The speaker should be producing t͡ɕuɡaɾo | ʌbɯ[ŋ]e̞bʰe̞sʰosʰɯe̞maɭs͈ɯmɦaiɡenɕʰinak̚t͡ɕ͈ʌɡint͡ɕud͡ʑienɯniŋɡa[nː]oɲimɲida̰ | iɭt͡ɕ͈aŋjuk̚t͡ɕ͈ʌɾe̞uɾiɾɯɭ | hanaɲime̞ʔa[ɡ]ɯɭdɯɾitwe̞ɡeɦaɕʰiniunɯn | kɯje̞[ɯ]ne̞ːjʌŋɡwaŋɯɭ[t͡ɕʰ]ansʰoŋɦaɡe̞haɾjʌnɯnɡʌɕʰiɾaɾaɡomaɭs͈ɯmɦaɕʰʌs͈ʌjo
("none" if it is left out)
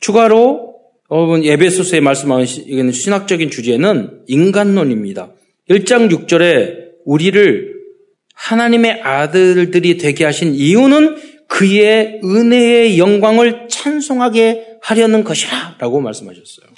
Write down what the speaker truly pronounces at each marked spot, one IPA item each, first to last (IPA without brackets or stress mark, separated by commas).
n, nː, d, ɯ, t͡ɕʰ